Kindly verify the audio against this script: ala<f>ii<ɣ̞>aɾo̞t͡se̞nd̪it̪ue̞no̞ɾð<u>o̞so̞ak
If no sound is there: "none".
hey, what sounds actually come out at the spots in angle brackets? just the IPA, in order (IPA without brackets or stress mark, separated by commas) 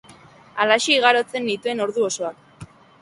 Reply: ʃ, ɣ̞, u